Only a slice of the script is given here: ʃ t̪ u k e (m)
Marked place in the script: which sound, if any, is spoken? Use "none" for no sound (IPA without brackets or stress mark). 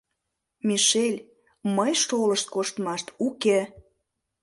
none